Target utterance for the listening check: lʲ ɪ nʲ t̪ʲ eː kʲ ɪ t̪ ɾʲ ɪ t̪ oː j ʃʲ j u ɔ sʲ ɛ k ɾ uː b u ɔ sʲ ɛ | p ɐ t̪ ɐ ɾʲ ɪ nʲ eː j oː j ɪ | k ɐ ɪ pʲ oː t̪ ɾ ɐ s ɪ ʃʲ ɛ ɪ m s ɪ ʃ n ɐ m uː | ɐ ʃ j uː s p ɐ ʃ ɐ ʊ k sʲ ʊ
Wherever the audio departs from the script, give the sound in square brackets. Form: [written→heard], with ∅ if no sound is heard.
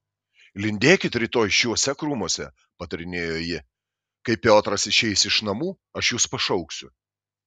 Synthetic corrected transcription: lʲ ɪ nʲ [t̪ʲ→d̪ʲ] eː kʲ ɪ t̪ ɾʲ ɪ t̪ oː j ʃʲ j u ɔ sʲ ɛ k ɾ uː [b→m] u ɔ sʲ ɛ | p ɐ t̪ ɐ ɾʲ ɪ nʲ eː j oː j ɪ | k ɐ ɪ pʲ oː t̪ ɾ ɐ s ɪ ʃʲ ɛ ɪ [m→∅] s ɪ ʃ n ɐ m uː | ɐ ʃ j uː s p ɐ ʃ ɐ ʊ k sʲ ʊ

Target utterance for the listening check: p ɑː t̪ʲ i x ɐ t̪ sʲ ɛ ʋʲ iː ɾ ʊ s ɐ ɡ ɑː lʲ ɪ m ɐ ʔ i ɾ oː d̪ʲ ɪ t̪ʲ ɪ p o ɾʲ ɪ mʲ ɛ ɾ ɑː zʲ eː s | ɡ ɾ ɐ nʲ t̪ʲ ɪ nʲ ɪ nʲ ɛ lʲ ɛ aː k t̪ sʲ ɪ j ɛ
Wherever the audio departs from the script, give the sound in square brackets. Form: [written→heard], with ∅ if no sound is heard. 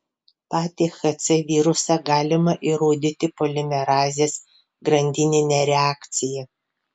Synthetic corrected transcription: p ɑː t̪ʲ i x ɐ t̪ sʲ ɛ ʋʲ iː ɾ ʊ s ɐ ɡ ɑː lʲ ɪ m ɐ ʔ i ɾ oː d̪ʲ ɪ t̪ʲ ɪ p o [ɾʲ→lʲ] ɪ mʲ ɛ ɾ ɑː zʲ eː s | ɡ ɾ ɐ nʲ [t̪ʲ→d̪ʲ] ɪ nʲ ɪ nʲ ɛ [lʲ→ɾʲ] ɛ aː k t̪ sʲ ɪ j ɛ

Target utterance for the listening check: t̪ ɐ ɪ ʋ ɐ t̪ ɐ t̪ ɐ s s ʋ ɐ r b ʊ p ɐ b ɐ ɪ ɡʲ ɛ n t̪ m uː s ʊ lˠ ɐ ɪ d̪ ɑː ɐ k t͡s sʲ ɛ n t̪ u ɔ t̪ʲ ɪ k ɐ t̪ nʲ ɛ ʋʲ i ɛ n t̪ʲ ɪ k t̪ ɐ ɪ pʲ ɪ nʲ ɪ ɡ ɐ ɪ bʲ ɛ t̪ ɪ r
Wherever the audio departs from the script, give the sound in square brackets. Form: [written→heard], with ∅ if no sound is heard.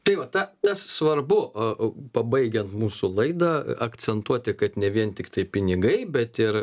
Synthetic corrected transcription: t̪ ɐ ɪ ʋ ɐ t̪ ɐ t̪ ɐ s s ʋ ɐ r b ʊ p ɐ b ɐ ɪ ɡʲ ɛ n t̪ m uː s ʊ lˠ ɐ ɪ d̪ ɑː ɐ k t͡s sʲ ɛ n t̪ u ɔ t̪ʲ ɪ k ɐ t̪ nʲ ɛ ʋʲ i ɛ n t̪ʲ ɪ k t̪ ɐ ɪ pʲ ɪ nʲ ɪ ɡ ɐ ɪ bʲ ɛ t̪ ɪ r

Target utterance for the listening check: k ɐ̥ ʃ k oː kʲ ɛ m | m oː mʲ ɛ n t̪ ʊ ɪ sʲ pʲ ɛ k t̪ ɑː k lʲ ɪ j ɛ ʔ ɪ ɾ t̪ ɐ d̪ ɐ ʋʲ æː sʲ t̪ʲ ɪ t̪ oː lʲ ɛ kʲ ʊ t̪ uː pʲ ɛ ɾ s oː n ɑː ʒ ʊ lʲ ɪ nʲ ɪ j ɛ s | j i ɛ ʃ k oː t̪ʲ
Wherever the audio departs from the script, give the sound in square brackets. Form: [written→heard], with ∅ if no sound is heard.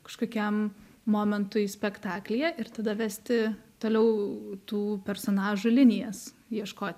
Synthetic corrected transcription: k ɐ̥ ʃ k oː kʲ ɛ m | m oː mʲ ɛ n t̪ ʊ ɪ sʲ pʲ ɛ k t̪ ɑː k lʲ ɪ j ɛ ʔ ɪ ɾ t̪ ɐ d̪ ɐ ʋʲ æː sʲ t̪ʲ ɪ t̪ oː lʲ ɛ [kʲ→∅] ʊ t̪ uː pʲ ɛ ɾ s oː n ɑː ʒ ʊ lʲ ɪ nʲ ɪ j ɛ s | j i ɛ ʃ k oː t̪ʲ

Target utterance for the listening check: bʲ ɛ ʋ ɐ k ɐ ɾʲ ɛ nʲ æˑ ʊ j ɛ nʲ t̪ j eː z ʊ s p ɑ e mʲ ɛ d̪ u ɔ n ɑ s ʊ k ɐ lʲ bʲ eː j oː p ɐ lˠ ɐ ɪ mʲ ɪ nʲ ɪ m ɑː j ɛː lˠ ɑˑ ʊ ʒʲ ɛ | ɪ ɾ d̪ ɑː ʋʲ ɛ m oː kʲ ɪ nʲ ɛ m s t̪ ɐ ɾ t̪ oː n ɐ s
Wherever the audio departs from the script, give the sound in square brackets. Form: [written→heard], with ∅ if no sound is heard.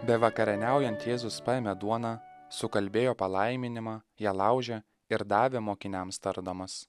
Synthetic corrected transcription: bʲ ɛ ʋ ɐ k ɐ ɾʲ ɛ nʲ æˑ ʊ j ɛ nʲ t̪ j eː z ʊ s p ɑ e mʲ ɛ d̪ u ɔ n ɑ s ʊ k ɐ lʲ bʲ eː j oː p ɐ lˠ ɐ ɪ mʲ ɪ nʲ ɪ m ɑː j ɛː lˠ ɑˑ ʊ ʒʲ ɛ | ɪ ɾ d̪ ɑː ʋʲ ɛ m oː kʲ ɪ nʲ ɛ m s t̪ ɐ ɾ [t̪→d̪] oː [n→m] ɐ s

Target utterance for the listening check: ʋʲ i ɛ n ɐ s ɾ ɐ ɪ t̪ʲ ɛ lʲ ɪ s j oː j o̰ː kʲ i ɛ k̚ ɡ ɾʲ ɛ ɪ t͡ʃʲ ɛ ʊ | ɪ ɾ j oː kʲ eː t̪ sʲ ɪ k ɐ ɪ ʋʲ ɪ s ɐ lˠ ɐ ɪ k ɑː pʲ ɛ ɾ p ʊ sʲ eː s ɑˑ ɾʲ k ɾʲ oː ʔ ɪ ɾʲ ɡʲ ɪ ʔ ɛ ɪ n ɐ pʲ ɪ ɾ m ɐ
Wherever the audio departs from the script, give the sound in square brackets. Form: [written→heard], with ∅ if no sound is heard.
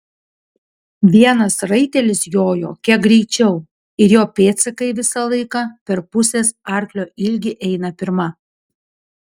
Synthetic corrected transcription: ʋʲ i ɛ n ɐ s ɾ ɐ ɪ t̪ʲ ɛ lʲ ɪ s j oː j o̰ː kʲ i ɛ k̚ ɡ ɾʲ ɛ ɪ t͡ʃʲ ɛ ʊ | ɪ ɾ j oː [kʲ→pʲ] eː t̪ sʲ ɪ k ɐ ɪ ʋʲ ɪ s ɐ lˠ ɐ ɪ k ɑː pʲ ɛ ɾ p ʊ sʲ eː s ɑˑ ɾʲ k [ɾʲ→lʲ] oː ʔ ɪ [ɾʲ→lʲ] ɡʲ ɪ ʔ ɛ ɪ n ɐ pʲ ɪ ɾ m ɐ

